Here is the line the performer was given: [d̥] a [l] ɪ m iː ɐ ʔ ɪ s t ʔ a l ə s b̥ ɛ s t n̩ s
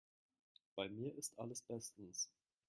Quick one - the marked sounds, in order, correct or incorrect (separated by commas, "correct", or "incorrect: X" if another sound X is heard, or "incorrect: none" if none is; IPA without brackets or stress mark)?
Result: incorrect: b̥, incorrect: none